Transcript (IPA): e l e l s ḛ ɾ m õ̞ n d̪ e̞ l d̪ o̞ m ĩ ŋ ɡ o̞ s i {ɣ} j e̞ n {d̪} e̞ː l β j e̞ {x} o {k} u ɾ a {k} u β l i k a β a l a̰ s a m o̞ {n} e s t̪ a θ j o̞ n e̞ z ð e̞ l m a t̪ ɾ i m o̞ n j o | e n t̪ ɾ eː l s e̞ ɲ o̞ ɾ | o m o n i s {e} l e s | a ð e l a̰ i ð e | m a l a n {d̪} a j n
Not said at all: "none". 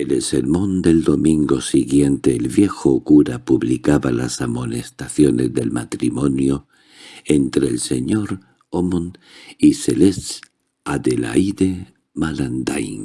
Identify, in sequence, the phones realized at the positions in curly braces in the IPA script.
ɣ, t̪, x, k, p, n, e, d̪

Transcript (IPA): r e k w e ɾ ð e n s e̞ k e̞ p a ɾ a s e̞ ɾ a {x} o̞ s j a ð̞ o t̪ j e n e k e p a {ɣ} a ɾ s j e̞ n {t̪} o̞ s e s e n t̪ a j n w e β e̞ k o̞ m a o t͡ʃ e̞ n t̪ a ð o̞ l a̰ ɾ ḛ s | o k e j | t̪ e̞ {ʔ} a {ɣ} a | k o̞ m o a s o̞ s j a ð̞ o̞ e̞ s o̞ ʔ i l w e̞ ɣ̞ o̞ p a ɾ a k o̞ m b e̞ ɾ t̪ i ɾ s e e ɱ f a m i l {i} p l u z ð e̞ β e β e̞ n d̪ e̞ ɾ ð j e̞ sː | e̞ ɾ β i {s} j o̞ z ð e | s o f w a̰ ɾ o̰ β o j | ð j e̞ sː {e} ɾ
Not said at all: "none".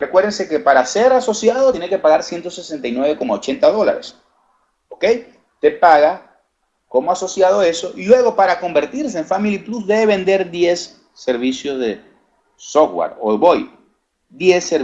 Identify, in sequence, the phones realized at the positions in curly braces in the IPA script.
s, ɣ, t̪, p, ɣ, i, s, e

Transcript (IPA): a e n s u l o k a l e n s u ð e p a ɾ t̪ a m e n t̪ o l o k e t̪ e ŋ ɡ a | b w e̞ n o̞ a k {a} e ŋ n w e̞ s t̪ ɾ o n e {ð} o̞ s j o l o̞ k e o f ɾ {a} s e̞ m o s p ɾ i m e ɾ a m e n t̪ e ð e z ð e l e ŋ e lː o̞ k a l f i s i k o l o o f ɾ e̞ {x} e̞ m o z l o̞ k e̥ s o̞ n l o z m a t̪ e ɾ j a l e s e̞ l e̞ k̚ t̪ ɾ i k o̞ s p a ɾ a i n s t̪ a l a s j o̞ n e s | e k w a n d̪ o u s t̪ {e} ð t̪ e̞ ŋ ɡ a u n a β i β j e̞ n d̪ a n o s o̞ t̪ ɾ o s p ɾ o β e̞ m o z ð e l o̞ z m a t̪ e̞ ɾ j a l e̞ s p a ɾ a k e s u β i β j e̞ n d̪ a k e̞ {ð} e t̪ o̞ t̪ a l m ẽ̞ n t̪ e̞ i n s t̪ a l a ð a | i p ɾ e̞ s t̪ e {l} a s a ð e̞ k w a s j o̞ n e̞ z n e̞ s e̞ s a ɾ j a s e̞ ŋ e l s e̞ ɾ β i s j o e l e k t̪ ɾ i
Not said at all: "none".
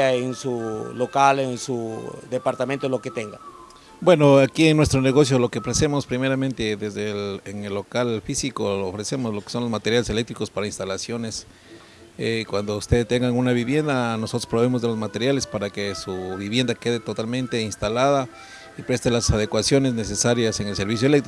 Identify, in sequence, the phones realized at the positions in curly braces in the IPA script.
i, ɣ, e, s, e, ð, l

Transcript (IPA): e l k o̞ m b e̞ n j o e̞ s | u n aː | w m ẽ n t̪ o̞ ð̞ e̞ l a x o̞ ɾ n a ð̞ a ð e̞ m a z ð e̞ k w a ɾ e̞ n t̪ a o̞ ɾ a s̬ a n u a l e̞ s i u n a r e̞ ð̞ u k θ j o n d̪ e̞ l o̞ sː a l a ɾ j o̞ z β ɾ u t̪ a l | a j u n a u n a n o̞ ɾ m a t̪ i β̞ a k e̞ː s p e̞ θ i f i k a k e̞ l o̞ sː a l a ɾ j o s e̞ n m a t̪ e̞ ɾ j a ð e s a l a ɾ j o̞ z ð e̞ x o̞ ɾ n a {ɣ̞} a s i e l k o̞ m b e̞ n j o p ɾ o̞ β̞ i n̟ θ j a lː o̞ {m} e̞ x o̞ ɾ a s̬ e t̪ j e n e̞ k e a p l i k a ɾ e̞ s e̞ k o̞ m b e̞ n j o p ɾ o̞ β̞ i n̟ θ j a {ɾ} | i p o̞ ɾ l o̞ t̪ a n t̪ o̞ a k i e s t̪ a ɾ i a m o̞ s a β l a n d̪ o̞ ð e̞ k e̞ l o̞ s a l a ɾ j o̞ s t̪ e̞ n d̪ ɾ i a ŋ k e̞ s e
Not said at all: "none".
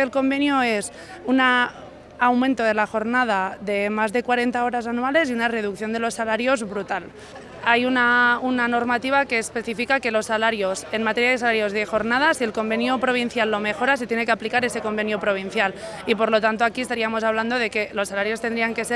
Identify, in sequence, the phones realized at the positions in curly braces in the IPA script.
ð̞, m, l

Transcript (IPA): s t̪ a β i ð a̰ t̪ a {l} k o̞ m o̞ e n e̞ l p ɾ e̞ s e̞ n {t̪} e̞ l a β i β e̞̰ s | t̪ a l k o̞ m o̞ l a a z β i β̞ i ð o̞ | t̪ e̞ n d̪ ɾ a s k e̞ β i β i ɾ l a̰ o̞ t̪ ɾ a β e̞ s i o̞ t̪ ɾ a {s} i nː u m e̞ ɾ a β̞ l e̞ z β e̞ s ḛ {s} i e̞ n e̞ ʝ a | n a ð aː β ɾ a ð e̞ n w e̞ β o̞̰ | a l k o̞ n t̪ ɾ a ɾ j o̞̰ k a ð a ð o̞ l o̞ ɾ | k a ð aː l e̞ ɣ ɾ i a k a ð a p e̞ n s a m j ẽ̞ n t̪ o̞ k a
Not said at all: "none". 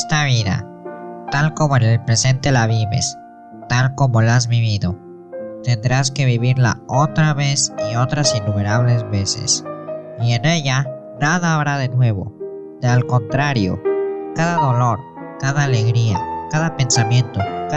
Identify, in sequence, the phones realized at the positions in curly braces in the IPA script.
l, t̪, s, s

